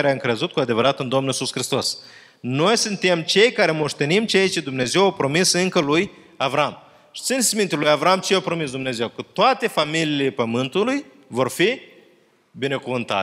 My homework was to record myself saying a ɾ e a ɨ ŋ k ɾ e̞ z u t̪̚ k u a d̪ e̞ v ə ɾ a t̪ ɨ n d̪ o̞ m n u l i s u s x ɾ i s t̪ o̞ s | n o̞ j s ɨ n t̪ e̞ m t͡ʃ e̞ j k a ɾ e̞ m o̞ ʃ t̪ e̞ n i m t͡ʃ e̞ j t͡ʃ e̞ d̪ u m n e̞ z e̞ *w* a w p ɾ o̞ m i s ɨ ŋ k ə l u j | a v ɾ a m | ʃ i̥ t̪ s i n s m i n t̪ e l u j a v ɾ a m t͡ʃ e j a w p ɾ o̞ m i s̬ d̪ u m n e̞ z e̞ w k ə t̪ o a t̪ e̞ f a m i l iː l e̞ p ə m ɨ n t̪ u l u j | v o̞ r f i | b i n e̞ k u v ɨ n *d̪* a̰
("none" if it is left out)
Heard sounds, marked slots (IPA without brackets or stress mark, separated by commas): w, t̪